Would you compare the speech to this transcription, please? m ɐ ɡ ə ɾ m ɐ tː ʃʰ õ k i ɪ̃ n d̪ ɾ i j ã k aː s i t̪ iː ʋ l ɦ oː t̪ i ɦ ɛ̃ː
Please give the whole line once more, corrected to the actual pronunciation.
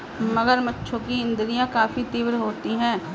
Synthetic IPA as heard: m ɐ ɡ ə ɾ m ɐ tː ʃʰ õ k i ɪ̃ n d̪ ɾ i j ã k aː f i t̪ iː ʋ ɾ ɦ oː t̪ i ɦ ɛ̃ː